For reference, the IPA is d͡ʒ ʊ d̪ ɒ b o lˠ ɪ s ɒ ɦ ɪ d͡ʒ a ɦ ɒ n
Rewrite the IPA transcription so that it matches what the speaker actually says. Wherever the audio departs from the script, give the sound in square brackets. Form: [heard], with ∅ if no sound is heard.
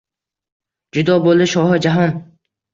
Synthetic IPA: d͡ʒ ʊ d̪ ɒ b o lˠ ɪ [ʃ] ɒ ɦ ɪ d͡ʒ a ɦ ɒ n